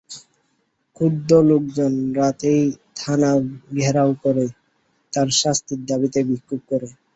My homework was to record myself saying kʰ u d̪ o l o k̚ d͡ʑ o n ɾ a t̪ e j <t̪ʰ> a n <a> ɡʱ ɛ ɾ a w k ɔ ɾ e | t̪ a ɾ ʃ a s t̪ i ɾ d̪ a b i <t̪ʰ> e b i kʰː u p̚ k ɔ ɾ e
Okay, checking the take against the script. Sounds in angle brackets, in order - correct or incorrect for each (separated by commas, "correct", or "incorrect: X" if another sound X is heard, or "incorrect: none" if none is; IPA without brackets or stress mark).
correct, correct, incorrect: t̪